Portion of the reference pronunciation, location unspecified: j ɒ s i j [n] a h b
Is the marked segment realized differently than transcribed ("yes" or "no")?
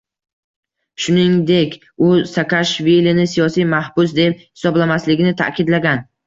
yes